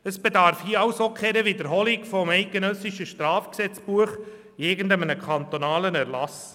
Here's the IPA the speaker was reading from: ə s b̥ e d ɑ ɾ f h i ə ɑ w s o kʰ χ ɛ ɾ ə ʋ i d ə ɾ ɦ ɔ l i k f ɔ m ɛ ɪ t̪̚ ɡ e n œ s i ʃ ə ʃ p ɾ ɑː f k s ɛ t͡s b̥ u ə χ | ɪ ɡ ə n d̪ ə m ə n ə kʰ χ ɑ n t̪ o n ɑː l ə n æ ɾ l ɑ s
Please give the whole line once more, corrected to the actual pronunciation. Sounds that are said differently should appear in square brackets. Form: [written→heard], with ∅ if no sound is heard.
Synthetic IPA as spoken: ə s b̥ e d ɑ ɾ f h i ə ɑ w s o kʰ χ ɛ ɾ ə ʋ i d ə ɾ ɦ ɔ l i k f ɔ m ɛ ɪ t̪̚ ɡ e n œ s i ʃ ə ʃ [p→t] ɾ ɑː f k s ɛ t͡s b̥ u ə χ | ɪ ɡ ə n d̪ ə m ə n ə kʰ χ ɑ n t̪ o n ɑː l ə n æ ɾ l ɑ s